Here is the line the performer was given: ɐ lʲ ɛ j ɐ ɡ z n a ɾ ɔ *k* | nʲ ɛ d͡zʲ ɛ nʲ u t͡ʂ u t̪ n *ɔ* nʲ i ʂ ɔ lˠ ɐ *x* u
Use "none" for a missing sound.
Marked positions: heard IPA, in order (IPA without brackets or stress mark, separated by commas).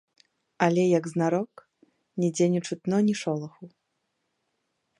k, ɔ, x